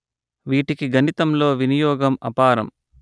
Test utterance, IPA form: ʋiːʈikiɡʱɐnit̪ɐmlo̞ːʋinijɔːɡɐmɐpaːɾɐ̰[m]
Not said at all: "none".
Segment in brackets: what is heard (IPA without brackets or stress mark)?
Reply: m